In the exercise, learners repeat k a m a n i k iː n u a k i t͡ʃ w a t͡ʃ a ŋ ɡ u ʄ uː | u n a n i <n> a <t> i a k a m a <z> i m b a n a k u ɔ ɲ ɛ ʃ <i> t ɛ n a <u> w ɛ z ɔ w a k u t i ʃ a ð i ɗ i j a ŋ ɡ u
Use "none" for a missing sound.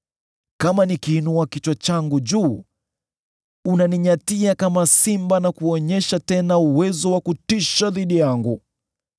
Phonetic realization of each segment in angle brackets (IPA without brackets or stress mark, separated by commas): ɲ, t, s, a, u